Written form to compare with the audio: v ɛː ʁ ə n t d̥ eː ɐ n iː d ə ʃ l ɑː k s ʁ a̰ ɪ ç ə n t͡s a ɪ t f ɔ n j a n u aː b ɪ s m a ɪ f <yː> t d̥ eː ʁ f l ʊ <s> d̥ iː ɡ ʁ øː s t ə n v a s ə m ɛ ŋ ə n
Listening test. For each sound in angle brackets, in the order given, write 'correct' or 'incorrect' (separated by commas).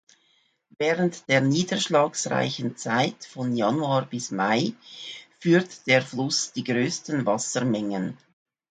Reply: correct, correct